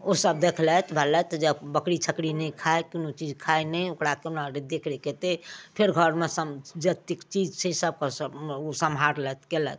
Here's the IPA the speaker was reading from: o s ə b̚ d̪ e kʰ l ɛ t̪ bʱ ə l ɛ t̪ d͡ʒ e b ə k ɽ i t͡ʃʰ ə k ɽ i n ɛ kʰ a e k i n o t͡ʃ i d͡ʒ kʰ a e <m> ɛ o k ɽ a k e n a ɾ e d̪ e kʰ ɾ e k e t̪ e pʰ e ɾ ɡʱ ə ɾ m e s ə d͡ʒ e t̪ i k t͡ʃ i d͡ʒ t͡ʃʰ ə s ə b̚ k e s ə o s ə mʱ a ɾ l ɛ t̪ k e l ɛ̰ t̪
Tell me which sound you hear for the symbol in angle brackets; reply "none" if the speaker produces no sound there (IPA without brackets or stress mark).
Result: n